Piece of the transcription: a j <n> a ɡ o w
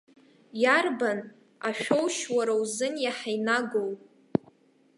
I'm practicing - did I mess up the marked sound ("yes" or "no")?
no